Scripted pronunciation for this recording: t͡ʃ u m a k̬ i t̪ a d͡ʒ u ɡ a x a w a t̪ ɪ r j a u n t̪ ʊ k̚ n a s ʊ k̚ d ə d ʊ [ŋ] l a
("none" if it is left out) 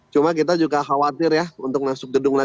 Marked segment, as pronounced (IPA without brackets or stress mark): ŋ